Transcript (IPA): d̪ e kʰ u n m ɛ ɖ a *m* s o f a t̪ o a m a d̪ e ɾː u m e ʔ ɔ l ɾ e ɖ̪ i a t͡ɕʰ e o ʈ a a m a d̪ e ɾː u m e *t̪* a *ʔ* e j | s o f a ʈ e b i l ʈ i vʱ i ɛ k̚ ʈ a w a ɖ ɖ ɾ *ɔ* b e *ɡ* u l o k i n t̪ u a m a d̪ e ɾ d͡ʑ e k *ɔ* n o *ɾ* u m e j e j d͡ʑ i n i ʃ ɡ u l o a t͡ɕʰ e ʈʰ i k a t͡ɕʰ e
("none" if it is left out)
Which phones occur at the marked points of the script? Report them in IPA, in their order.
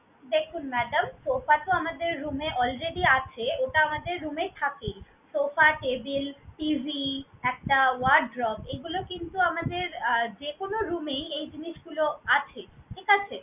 m, t̪ʰ, k, ɔ, ɡ, o, ɾ

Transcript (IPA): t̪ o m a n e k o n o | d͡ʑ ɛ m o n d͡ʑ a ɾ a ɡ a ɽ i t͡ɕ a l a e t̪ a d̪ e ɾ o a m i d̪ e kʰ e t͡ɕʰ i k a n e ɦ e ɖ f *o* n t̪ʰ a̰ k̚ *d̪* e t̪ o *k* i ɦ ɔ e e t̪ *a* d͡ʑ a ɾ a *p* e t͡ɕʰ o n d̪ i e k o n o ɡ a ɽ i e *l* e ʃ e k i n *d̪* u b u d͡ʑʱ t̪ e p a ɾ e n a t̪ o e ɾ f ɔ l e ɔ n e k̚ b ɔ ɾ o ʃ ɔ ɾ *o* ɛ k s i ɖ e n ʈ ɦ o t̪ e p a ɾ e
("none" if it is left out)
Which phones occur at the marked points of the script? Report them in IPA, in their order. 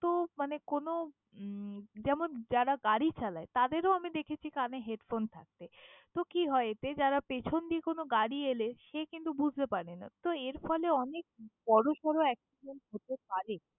o, t̪, k, e, p, l, t̪, o

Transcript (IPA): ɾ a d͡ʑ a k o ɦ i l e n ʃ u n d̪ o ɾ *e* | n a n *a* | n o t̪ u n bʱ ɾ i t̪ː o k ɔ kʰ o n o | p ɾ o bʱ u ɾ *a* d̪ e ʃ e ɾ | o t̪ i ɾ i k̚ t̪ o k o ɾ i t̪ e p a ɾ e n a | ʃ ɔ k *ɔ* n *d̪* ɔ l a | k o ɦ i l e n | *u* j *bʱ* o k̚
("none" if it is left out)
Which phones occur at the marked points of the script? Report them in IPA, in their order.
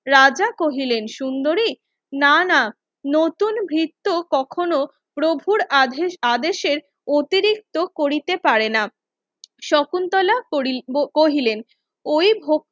i, a, a, u, t̪, o, bʱ

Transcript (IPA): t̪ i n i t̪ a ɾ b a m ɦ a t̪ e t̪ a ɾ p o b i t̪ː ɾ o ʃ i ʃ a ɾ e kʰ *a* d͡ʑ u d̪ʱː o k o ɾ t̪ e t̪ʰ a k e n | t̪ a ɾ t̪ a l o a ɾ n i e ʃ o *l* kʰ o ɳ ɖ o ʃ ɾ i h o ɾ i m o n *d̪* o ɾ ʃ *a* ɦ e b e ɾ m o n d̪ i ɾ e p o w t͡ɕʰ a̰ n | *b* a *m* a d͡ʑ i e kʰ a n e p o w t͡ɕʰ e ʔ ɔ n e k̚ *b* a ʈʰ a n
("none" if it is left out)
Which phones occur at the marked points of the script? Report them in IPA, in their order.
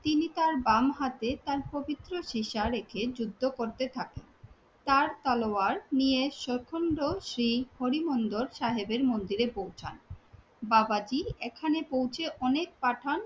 e, ɾ, d̪, a, b, b, p

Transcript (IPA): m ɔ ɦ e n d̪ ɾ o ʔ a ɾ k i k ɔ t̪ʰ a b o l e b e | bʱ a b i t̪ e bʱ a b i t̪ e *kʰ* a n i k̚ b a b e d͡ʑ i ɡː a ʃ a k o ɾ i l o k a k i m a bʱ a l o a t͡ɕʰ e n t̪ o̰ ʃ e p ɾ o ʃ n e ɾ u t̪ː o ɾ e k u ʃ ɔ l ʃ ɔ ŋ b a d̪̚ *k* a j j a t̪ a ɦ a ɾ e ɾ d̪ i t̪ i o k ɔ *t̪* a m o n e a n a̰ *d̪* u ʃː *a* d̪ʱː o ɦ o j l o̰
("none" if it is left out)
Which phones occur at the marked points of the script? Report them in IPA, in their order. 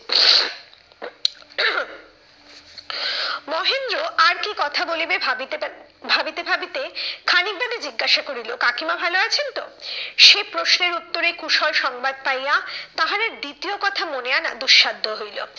kʰ, p, t̪ʰ, d̪, a

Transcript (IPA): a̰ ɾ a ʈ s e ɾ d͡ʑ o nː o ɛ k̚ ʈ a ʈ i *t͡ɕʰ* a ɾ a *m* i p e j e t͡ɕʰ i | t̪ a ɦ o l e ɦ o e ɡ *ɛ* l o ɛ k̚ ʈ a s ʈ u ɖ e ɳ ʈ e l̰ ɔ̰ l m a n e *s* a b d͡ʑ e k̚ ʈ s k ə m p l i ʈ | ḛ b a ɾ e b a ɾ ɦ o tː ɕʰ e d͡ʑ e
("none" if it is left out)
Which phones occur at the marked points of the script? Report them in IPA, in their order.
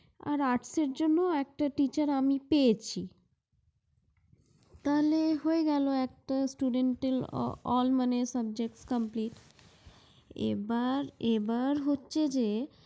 t͡ɕ, m, ɛ, s

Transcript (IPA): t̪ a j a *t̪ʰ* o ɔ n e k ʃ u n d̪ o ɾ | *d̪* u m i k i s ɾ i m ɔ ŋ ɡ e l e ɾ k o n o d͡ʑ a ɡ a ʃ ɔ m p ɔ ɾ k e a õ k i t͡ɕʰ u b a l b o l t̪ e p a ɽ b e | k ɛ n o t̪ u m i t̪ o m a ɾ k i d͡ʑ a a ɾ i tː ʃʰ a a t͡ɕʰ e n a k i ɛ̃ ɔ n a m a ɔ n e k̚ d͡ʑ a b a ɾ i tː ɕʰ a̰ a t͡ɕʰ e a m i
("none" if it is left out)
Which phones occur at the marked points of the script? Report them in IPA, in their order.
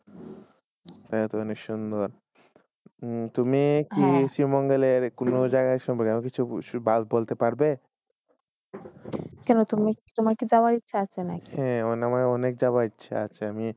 t̪, t̪

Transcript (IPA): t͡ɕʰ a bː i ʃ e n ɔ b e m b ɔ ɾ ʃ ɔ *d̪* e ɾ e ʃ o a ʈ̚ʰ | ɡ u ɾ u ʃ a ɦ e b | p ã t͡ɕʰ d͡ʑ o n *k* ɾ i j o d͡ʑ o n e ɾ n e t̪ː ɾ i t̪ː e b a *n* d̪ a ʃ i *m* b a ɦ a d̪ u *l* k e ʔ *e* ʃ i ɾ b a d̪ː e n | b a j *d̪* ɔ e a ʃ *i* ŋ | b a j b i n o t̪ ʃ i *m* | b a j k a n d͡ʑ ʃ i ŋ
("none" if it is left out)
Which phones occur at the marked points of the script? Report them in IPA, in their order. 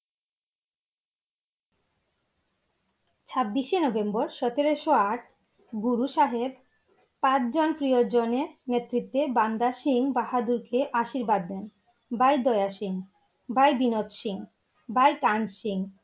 t̪, p, n, ŋ, ɾ, a, d̪, i, ŋ

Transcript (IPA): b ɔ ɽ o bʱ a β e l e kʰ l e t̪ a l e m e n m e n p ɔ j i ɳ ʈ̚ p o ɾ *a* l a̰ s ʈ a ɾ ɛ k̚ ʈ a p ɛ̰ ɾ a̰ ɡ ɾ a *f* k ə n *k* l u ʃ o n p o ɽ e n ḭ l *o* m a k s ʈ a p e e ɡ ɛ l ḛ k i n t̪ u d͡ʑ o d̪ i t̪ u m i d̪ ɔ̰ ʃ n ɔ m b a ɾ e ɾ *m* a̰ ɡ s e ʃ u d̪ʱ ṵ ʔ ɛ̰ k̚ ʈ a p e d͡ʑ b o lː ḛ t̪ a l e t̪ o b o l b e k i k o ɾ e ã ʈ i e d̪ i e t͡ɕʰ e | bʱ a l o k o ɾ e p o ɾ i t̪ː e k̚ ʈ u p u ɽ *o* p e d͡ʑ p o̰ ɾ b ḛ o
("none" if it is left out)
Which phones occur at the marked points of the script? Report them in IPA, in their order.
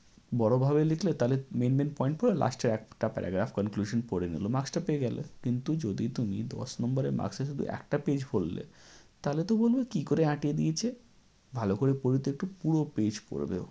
e, f, k, o, m, o

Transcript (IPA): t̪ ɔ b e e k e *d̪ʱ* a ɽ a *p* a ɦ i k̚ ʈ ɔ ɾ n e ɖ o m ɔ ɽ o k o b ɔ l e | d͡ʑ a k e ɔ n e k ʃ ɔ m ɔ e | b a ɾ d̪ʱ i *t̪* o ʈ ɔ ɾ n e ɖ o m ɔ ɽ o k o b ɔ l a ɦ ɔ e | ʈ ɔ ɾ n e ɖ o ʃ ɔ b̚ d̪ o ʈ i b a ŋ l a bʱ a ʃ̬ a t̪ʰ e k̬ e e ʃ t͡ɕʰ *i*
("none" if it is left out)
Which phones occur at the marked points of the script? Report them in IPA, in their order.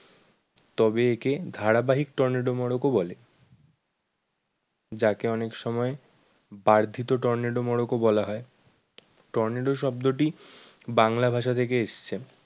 d̪ʱ, b, t̪, e

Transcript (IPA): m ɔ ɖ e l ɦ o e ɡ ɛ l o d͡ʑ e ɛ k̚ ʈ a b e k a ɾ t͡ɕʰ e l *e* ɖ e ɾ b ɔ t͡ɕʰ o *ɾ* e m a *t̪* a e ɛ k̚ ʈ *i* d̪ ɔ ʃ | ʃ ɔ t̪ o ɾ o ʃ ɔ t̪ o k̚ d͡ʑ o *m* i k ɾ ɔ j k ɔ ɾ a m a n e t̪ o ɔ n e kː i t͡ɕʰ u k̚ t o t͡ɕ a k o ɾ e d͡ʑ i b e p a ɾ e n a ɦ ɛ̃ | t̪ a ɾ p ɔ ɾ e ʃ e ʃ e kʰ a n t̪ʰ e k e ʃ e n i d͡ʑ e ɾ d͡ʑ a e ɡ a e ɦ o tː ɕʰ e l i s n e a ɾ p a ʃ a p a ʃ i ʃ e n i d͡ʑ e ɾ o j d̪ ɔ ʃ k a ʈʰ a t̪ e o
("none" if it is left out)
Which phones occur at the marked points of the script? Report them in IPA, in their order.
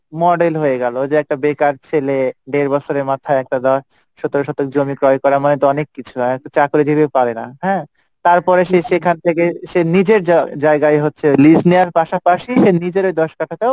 e, ɾ, t̪ʰ, a, m

